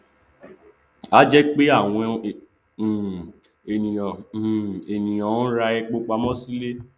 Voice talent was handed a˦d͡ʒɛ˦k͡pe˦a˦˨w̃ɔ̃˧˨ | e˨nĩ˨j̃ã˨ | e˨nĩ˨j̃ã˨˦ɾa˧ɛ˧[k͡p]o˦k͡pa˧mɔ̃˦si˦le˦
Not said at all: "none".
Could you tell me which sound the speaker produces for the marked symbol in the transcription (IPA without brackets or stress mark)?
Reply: k͡p